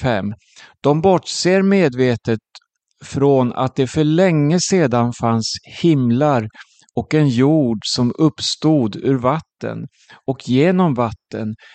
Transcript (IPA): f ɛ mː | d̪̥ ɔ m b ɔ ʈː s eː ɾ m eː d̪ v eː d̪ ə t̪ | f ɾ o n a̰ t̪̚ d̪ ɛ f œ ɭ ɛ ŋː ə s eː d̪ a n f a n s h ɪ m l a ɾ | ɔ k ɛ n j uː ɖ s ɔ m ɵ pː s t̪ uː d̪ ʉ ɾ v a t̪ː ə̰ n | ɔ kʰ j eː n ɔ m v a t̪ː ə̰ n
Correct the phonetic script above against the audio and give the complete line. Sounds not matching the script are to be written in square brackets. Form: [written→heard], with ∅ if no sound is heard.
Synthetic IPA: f ɛ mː | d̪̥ ɔ m b ɔ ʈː s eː ɾ m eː d̪ v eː [d̪→t̪] ə t̪ | f ɾ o n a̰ t̪̚ d̪ ɛ f œ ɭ ɛ ŋː ə s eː d̪ a n f a n s h ɪ m l a ɾ | ɔ k ɛ n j uː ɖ s ɔ m ɵ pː s t̪ uː d̪ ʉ ɾ v a t̪ː ə̰ n | ɔ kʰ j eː n ɔ m v a t̪ː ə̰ n